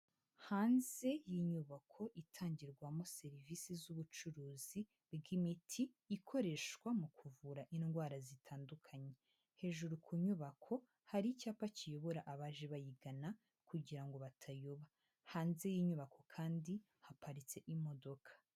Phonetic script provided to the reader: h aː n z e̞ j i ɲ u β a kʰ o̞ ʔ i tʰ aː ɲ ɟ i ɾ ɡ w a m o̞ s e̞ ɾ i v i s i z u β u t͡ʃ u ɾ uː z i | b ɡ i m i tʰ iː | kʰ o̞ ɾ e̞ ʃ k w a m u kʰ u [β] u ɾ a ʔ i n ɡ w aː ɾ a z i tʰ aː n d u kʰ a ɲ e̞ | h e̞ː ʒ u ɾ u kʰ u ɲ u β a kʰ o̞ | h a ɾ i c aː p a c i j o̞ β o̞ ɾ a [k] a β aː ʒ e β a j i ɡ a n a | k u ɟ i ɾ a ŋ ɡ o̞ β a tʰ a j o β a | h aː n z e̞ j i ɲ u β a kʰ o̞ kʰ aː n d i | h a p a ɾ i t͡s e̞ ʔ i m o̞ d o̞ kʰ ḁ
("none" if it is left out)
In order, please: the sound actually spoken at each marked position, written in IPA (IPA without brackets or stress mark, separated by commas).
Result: v, ʔ